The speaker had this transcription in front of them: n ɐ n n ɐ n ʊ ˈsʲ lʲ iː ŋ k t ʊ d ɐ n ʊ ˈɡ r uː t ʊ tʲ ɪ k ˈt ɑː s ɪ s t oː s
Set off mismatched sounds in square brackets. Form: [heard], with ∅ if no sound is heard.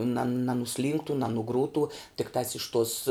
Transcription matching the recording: n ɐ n n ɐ n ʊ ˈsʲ lʲ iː ŋ k t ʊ [n] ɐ n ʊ ˈɡ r uː t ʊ tʲ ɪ k ˈt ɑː s ɪ [ʃ] t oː s